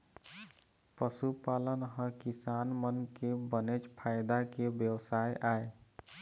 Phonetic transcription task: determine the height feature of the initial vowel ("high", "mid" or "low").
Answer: mid